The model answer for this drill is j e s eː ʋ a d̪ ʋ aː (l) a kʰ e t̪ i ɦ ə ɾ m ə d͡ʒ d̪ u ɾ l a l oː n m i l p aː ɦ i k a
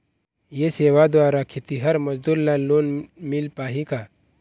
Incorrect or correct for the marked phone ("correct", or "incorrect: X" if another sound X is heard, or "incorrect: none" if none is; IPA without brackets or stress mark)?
incorrect: ɾ